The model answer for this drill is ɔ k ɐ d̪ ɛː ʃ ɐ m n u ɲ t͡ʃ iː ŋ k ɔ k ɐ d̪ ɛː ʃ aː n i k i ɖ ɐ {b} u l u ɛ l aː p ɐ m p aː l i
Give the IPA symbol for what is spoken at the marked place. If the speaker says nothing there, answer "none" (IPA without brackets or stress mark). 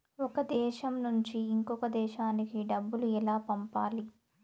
bː